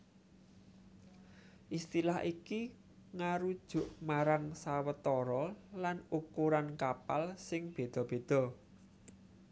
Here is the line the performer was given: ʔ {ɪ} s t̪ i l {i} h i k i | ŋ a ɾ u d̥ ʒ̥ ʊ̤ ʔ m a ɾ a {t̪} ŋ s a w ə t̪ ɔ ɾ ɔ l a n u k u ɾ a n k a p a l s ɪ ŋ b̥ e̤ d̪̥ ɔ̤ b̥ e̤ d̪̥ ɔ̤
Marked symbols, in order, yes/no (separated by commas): no, no, no